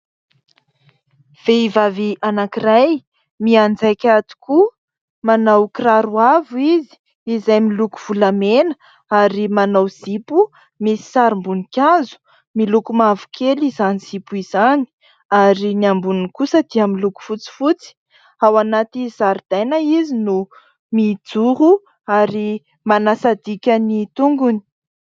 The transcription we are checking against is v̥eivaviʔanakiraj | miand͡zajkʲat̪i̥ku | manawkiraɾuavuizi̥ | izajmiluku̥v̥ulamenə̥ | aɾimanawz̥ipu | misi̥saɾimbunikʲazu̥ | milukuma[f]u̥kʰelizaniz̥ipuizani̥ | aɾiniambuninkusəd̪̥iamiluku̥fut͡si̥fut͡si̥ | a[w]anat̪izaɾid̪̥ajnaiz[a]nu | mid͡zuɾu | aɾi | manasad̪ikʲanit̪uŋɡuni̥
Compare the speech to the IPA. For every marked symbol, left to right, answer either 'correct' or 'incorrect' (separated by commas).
incorrect, correct, incorrect